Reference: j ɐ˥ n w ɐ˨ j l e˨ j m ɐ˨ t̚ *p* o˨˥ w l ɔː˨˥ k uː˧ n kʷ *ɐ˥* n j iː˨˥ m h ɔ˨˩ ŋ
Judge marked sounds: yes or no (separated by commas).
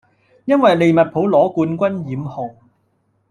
no, yes